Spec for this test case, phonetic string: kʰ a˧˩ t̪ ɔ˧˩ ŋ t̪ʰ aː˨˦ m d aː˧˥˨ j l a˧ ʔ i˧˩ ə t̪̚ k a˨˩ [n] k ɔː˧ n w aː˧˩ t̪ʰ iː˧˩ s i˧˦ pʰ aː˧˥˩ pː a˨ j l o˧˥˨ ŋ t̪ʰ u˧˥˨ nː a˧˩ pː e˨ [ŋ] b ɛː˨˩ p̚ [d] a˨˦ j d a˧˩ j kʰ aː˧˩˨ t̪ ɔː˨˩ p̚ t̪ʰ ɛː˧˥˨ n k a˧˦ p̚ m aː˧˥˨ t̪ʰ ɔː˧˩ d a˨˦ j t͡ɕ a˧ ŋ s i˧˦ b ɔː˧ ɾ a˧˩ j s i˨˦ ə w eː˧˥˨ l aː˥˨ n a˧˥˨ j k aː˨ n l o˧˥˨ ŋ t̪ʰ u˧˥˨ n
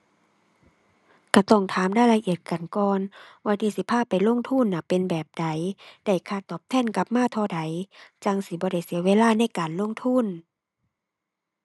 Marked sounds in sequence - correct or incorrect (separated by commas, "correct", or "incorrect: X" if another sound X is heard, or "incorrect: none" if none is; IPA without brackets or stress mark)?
correct, incorrect: n, correct